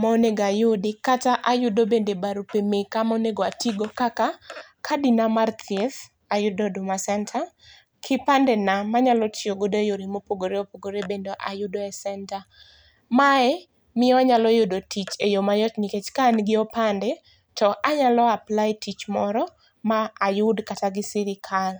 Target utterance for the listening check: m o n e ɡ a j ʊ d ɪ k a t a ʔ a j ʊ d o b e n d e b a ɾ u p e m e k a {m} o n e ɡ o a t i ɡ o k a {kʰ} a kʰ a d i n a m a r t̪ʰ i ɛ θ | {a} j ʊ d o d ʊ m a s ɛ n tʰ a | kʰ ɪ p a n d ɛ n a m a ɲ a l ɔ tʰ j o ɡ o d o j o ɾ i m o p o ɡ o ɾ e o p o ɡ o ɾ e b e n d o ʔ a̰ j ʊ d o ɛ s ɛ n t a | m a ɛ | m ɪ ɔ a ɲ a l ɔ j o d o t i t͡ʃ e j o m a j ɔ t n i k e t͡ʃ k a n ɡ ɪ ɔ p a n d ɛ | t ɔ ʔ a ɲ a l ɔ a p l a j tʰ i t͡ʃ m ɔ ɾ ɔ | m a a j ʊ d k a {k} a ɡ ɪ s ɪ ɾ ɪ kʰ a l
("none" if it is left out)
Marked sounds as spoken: m, k, a, t

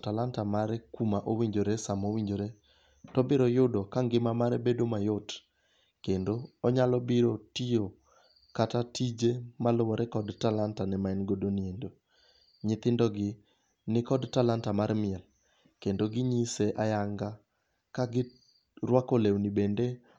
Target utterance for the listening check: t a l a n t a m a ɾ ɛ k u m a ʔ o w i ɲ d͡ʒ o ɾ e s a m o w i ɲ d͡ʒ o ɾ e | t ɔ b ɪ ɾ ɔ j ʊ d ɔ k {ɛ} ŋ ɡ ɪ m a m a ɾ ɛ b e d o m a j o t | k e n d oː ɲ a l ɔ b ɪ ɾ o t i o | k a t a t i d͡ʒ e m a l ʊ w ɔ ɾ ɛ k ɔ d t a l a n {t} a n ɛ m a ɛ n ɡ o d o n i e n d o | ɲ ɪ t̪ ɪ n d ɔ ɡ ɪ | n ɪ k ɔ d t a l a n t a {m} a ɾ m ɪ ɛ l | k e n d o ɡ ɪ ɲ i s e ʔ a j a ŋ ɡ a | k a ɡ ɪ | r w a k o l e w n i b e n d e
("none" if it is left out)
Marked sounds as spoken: a, t, m

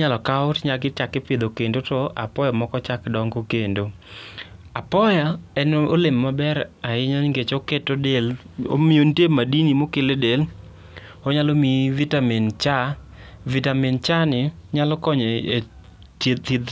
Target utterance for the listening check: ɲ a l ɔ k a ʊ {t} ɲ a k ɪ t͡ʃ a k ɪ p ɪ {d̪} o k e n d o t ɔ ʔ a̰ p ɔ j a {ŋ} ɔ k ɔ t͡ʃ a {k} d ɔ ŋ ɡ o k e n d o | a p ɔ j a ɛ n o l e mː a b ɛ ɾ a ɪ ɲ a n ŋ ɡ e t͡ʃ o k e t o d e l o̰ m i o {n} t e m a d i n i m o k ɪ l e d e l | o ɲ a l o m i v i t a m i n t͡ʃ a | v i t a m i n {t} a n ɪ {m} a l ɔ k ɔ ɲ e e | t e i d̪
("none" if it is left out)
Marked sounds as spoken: t, d̪, m, k, n, t͡ʃ, ɲ

